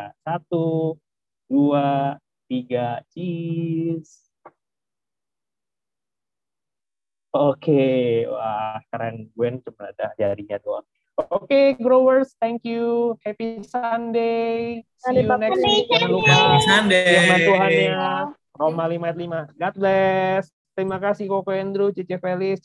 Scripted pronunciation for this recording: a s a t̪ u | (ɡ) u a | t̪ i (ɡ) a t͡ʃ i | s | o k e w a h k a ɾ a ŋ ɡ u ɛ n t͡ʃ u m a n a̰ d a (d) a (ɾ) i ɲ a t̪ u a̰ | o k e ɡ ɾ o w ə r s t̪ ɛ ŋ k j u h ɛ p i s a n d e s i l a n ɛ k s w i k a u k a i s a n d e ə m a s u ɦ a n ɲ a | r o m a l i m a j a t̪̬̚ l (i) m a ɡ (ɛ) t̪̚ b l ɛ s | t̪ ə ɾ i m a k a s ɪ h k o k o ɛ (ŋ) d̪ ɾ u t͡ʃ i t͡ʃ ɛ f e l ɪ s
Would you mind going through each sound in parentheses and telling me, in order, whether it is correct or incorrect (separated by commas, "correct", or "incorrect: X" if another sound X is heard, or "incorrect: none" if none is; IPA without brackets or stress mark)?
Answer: incorrect: d, correct, incorrect: d͡ʒ, correct, correct, incorrect: a, incorrect: n